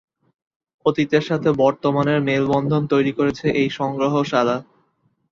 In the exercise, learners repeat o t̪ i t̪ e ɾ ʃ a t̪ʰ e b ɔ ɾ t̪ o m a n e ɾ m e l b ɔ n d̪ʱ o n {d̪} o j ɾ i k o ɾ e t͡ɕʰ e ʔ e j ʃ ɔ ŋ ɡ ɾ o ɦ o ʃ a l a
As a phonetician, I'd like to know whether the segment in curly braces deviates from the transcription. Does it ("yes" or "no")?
yes